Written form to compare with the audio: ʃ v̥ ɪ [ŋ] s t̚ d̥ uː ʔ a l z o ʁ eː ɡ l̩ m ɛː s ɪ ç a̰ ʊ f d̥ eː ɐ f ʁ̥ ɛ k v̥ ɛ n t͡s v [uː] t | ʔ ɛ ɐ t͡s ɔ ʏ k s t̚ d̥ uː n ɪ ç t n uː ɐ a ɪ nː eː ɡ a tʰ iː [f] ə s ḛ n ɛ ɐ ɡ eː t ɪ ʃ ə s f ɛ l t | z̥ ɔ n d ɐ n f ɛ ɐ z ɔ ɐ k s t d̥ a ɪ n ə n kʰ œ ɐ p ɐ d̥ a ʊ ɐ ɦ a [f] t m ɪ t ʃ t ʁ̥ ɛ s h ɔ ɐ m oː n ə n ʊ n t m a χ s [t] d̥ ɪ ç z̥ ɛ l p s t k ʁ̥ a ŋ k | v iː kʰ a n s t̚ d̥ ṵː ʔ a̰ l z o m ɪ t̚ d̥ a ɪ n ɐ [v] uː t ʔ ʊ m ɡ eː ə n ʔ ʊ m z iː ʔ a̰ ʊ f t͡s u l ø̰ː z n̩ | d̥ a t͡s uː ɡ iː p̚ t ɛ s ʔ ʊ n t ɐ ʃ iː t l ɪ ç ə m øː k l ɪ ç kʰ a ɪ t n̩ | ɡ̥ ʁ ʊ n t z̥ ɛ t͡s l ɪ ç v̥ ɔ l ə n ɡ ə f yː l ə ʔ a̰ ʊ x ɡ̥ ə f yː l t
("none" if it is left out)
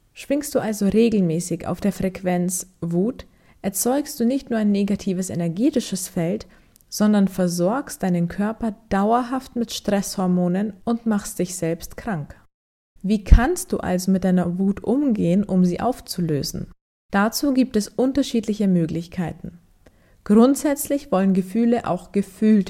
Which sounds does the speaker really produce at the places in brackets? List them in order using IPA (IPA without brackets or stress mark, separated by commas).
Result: ŋ, uː, v, f, t, v